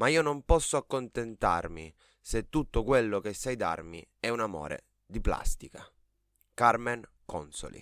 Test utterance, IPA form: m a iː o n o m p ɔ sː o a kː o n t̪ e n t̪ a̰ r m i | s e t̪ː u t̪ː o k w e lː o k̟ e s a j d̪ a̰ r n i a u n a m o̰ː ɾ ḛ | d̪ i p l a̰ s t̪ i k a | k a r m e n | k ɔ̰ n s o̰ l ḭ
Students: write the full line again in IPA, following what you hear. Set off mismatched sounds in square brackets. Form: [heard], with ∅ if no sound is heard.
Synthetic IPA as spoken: m a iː o n o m p ɔ sː o a kː o n t̪ e n t̪ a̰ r m i | s e t̪ː u t̪ː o k w e lː o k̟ e s a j d̪ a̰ r [m] i [ɛ] u n a m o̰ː ɾ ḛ | d̪ i p l a̰ s t̪ i k a | k a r m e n | k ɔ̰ n s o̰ l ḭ